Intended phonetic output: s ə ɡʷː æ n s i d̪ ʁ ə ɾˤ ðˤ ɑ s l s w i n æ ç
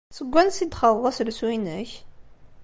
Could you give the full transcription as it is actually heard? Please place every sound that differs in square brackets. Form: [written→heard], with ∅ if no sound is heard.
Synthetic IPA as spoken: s ə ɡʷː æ n s i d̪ [ʁ→χ] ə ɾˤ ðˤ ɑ s l s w i n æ ç